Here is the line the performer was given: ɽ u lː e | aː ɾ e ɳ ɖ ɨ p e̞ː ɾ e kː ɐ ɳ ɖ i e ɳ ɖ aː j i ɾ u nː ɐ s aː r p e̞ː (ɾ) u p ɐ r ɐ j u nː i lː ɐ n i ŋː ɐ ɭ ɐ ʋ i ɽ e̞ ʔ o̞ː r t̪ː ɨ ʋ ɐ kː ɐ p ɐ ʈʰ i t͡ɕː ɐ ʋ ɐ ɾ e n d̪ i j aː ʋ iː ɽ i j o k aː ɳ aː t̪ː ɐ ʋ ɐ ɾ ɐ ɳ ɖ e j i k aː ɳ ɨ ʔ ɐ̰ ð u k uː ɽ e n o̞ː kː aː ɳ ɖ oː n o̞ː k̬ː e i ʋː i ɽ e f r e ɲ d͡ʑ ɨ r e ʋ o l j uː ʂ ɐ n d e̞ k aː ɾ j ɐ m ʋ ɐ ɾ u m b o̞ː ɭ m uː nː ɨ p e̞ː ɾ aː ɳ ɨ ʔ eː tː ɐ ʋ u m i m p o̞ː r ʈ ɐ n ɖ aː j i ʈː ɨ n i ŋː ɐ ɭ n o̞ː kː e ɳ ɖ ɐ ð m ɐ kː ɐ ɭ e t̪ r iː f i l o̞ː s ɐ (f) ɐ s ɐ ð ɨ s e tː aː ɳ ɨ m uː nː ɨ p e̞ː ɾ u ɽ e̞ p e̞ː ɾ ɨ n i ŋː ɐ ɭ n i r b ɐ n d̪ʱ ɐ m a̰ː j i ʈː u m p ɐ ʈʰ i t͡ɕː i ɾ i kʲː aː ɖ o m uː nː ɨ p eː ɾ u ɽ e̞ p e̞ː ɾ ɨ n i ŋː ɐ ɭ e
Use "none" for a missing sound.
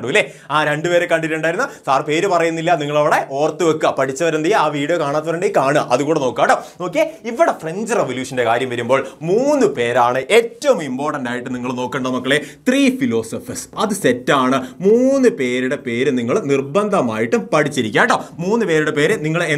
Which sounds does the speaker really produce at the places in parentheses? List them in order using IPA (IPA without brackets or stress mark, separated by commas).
ɾ, f